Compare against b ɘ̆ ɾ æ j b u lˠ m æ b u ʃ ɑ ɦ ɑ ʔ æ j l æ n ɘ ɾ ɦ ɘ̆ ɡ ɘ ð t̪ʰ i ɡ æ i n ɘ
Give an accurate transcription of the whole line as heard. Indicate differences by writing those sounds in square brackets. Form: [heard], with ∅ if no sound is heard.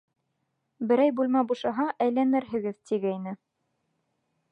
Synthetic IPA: b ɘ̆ ɾ æ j b u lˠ m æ b u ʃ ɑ ɦ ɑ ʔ æ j l æ n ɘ ɾ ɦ ɘ̆ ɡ ɘ ð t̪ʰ i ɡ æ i n ɘ